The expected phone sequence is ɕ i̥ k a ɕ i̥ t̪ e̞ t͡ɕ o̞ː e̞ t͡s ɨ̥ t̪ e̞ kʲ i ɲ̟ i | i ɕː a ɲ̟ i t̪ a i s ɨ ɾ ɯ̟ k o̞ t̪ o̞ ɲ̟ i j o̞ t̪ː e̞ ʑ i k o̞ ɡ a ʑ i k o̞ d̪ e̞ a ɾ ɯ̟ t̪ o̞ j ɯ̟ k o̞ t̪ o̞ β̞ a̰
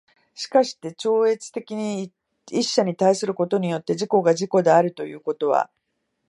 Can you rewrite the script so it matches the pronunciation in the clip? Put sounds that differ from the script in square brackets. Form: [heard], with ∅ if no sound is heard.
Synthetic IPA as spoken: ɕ i̥ k a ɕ i̥ t̪ e̞ t͡ɕ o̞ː e̞ t͡s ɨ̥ t̪ e̞ kʲ i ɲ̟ i | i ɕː a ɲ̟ i t̪ a i s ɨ ɾ ɯ̟ k o̞ t̪ o̞ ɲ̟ i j o̞ t̪ː e̞ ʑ i k o̞ ɡ a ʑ i k o̞ d̪ e̞ a ɾ ɯ̟ t̪ o̞ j [ɯ̟ː] k o̞ t̪ o̞ β̞ a̰